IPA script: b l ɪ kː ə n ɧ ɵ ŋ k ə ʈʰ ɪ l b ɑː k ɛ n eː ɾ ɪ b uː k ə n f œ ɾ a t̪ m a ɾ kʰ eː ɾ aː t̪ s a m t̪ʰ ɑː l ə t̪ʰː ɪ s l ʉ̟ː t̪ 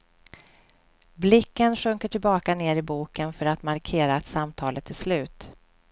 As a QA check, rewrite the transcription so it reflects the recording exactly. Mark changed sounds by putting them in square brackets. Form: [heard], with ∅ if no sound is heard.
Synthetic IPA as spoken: b l ɪ kː ə n ɧ ɵ ŋ k ə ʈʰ ɪ l b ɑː k [a] n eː ɾ ɪ b uː k ə n f œ ɾ a t̪ m a ɾ kʰ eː ɾ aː t̪ s a m t̪ʰ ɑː l ə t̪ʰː ɪ s l ʉ̟ː t̪